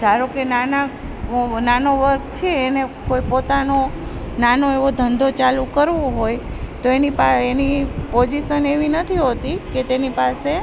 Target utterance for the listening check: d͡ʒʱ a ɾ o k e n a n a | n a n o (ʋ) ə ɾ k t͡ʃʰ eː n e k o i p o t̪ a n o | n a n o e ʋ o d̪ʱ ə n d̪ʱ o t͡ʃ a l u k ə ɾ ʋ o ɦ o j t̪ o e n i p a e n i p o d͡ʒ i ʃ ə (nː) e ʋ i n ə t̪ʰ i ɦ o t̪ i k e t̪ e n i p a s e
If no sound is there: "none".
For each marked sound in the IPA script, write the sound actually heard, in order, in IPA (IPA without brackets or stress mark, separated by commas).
ʋ, n